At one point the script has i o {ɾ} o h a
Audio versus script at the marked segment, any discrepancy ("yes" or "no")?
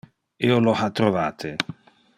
yes